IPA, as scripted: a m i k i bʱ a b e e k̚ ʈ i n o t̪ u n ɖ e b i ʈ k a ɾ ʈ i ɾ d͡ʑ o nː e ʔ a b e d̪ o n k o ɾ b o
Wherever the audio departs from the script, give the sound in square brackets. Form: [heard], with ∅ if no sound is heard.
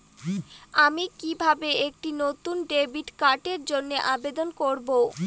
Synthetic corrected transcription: a m i k i bʱ a b e e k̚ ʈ i n o t̪ u n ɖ e b i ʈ k a ɾ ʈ [e] ɾ d͡ʑ o nː e ʔ a b e d̪ o n k o ɾ b o